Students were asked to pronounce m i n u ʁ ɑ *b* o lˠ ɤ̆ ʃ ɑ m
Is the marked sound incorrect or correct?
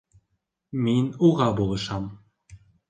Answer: correct